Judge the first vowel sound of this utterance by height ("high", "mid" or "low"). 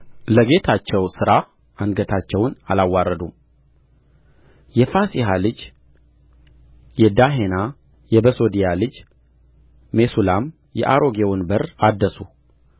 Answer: mid